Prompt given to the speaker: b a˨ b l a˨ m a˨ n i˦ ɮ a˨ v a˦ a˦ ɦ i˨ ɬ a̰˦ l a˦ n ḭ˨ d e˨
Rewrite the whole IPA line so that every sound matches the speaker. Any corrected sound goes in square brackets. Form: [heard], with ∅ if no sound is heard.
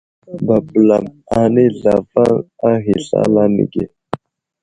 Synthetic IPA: b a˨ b l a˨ m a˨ n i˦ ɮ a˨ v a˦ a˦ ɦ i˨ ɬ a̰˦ l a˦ n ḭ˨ [ɡ] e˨